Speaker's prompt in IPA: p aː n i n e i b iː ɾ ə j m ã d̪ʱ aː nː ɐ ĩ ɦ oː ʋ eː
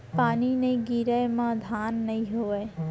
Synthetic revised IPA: p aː n i n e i ɡ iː ɾ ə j m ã d̪ʱ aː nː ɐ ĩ ɦ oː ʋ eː